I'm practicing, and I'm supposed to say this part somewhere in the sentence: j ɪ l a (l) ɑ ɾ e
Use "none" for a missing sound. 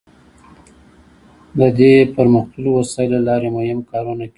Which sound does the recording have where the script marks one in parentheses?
l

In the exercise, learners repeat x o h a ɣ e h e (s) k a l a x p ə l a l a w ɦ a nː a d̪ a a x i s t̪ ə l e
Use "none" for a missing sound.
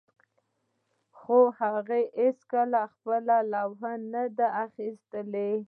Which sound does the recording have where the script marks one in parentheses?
s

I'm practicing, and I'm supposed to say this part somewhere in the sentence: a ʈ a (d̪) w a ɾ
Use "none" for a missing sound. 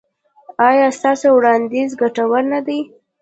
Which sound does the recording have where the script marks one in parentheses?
none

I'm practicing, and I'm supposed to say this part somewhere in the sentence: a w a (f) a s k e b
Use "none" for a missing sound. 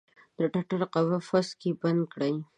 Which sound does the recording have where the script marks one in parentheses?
f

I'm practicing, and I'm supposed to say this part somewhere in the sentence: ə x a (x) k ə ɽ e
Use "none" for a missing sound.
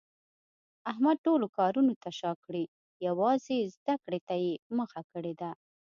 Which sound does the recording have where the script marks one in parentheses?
none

